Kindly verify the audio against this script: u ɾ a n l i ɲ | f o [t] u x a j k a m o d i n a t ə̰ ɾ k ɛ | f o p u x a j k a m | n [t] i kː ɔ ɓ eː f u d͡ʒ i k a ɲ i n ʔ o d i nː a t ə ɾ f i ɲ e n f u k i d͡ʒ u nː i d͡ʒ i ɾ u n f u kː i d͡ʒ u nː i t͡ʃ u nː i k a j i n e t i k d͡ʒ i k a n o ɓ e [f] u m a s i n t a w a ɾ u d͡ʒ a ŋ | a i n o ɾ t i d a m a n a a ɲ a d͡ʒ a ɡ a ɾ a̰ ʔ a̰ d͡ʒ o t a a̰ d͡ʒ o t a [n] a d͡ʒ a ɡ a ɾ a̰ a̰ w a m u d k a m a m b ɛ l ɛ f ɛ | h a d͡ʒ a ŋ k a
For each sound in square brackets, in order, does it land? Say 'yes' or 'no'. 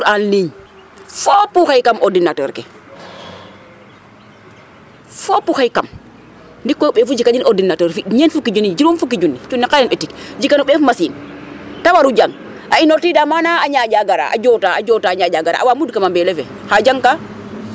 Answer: no, no, yes, no

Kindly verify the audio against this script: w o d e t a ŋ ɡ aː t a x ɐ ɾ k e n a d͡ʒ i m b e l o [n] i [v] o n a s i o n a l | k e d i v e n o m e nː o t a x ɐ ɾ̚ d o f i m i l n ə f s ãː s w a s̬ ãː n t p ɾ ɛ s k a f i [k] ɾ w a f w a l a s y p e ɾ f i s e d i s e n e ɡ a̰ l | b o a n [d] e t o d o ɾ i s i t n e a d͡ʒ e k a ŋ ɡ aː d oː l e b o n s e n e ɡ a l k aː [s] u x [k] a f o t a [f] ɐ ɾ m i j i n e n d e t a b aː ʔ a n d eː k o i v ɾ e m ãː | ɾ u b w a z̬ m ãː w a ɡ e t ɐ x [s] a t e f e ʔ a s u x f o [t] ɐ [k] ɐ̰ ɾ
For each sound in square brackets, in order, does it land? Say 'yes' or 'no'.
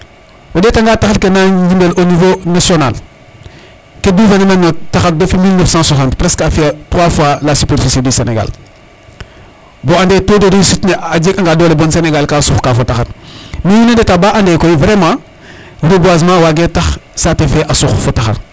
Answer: yes, yes, no, yes, yes, yes, no, yes, yes, no

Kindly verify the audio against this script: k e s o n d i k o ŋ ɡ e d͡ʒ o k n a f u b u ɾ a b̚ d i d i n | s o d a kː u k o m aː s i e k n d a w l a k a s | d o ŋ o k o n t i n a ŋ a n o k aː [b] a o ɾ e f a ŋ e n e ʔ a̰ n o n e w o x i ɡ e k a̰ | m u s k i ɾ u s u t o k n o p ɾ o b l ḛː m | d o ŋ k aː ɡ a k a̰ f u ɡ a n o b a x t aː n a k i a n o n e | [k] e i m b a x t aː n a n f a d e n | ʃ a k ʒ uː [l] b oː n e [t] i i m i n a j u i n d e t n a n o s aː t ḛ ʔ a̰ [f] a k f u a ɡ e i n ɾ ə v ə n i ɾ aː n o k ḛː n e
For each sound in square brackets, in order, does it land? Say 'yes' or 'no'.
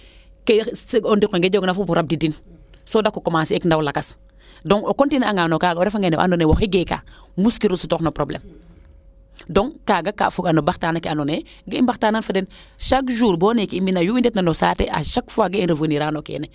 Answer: no, no, no, no, no

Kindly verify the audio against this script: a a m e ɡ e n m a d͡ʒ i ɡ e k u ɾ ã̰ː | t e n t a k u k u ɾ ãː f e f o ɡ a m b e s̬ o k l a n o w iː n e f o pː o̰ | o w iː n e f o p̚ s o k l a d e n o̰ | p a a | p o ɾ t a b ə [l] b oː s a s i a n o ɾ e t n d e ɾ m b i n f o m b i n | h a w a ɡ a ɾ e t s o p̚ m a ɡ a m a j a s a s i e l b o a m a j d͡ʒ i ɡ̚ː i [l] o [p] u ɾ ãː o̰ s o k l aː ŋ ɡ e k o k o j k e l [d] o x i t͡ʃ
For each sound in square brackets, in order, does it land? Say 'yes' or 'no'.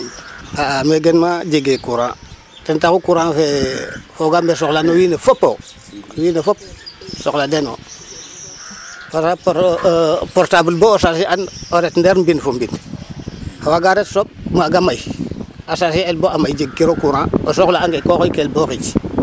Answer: yes, no, no, no

